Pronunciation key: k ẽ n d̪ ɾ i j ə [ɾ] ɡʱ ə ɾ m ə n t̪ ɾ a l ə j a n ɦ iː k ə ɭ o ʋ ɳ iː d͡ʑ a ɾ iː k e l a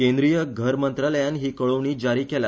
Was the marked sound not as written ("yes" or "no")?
yes